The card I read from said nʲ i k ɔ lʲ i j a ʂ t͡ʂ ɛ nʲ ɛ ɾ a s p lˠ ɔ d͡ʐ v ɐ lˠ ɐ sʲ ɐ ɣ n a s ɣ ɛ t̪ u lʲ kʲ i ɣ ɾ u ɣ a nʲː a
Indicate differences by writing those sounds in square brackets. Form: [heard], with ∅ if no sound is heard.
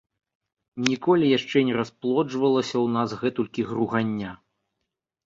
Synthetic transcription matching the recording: nʲ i k ɔ lʲ i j a ʂ t͡ʂ ɛ nʲ ɛ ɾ a s p lˠ ɔ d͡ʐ v ɐ lˠ ɐ sʲ ɐ [w] n a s ɣ ɛ t̪ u lʲ kʲ i ɣ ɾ u ɣ a nʲː a